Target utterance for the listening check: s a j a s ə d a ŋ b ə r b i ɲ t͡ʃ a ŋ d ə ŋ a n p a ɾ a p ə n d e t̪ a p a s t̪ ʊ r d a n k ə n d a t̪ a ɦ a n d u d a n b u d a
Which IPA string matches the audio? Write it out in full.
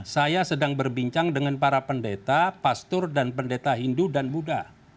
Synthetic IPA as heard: s a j a s ə d a ŋ b ə r b i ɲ t͡ʃ a ŋ d ə ŋ a n p a ɾ a p ə n d e t̪ a p a s t̪ ʊ r d a n p ə n d e t̪ a ɦ i n d u d a n b u d a